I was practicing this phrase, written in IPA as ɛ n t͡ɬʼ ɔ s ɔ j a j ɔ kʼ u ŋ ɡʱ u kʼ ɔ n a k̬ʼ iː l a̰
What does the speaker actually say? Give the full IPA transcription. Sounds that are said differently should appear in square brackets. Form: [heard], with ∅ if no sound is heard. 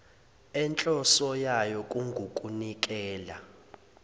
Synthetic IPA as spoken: ɛ n t͡ɬʼ ɔ s ɔ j a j ɔ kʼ u ŋ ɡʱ u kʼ [u] n [i] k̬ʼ [ɛː] l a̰

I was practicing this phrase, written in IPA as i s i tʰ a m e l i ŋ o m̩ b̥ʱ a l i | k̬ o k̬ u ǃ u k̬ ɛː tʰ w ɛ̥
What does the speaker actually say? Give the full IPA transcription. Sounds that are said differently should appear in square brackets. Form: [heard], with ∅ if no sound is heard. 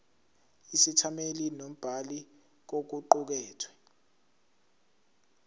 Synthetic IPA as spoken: i s i tʰ a m e l i [n] o m̩ b̥ʱ a l i | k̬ o k̬ u ǃ u k̬ ɛː tʰ w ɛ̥

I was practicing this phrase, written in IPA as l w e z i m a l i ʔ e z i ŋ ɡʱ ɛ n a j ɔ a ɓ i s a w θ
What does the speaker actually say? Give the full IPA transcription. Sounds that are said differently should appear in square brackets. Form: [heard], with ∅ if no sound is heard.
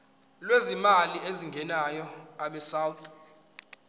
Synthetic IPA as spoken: l w e z i m a l i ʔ e z i ŋ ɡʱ ɛ n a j ɔ a ɓ [ɛ] s a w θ

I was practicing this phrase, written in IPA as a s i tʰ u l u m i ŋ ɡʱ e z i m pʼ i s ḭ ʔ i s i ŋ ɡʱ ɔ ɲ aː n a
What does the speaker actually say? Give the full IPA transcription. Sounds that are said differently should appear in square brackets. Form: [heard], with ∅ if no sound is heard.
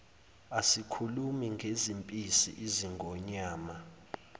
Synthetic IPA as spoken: a s i [kʰ] u l u m i ŋ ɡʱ e z i m pʼ i s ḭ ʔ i [z] i ŋ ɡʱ ɔ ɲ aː [m] a

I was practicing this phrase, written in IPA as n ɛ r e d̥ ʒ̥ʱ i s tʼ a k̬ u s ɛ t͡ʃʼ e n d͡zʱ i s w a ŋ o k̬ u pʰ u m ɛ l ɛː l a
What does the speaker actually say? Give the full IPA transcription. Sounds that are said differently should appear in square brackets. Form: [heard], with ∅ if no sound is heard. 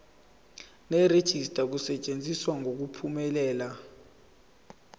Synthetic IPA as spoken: n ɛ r e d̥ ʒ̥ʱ i s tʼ a k̬ u s ɛ t͡ʃʼ e n d͡zʱ i s w a ŋ o k̬ u pʰ u m ɛ l ɛː l a

